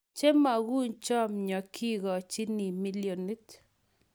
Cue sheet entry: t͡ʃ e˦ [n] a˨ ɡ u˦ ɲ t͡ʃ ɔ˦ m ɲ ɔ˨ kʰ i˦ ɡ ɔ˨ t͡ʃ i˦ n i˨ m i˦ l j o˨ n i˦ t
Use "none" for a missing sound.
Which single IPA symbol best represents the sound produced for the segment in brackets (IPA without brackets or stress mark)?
m